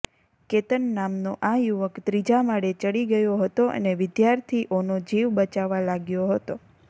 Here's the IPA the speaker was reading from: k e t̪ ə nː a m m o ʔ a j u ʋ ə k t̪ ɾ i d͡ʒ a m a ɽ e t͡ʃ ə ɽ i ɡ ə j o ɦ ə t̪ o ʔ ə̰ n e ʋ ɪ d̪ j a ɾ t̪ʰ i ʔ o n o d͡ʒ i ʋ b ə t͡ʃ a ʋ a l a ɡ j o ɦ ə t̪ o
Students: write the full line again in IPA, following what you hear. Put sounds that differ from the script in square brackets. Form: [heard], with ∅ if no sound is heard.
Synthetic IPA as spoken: k e t̪ ə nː a m [n] o ʔ a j u ʋ ə k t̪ ɾ i d͡ʒ a m a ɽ e t͡ʃ ə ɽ i ɡ ə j o ɦ ə t̪ o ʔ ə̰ n e ʋ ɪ d̪ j a ɾ t̪ʰ i ʔ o n o d͡ʒ i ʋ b ə t͡ʃ a ʋ a l a ɡ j o ɦ ə t̪ o